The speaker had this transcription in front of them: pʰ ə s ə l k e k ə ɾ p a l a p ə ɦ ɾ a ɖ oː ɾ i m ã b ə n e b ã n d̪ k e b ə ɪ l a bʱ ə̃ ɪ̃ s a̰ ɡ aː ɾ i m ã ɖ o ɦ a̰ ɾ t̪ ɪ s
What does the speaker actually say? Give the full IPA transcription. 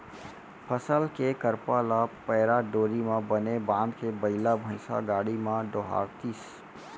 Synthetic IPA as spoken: pʰ ə s ə l k e k ə ɾ p a l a p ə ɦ ɾ a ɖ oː ɾ i m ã b ə n e b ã n d̪ k e b ə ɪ l a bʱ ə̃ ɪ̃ s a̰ ɡ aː ɽ i m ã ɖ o ɦ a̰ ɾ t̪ i s